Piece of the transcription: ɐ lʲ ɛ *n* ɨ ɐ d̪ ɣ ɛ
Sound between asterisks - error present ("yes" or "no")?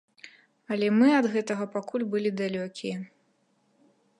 yes